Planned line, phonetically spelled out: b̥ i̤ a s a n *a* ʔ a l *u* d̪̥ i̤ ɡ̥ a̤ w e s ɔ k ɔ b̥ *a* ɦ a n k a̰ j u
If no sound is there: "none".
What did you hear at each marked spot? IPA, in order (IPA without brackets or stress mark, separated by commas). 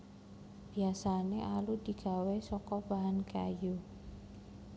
e, u, a